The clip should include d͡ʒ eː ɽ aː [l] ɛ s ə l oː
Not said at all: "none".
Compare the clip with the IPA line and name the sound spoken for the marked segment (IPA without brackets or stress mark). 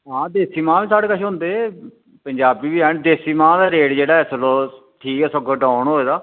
none